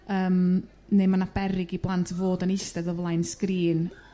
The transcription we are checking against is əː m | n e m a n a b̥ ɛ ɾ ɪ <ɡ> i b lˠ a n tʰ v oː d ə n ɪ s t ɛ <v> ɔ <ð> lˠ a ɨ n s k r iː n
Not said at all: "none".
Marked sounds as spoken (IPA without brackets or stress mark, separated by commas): ɡ, ð, v